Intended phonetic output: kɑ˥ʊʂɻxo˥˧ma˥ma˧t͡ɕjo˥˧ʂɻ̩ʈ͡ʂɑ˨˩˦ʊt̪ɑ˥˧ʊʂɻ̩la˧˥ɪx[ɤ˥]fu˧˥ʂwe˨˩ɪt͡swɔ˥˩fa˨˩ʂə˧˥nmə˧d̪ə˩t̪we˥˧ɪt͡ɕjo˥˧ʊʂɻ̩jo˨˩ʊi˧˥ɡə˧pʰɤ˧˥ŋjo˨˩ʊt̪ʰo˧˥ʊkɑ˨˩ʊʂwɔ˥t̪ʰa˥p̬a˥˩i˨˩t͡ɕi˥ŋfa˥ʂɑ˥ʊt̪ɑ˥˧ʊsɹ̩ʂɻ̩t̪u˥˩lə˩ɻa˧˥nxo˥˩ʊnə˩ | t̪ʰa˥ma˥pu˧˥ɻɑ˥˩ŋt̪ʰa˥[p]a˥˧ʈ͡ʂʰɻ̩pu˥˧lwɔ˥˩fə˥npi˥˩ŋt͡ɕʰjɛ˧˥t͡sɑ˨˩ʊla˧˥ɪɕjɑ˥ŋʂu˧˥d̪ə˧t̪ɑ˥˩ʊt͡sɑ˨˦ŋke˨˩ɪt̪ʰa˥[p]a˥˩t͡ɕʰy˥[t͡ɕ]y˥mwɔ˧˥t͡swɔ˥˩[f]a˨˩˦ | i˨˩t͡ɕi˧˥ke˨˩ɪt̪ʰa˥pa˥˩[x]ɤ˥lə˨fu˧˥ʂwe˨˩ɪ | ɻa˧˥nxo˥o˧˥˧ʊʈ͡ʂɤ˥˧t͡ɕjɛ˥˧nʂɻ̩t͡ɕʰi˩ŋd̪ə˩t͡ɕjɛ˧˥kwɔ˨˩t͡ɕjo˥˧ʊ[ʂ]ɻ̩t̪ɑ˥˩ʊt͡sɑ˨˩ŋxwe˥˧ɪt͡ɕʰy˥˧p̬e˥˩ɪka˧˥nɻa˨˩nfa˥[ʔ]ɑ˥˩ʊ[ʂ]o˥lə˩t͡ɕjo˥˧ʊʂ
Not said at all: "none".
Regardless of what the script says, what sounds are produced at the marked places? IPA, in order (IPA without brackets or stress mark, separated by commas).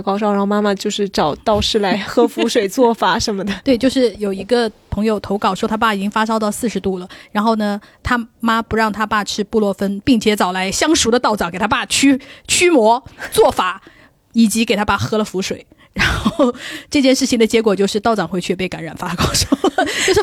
ɤ˥, p, p, t͡ɕʰ, f, x, ʂ, k, ʂ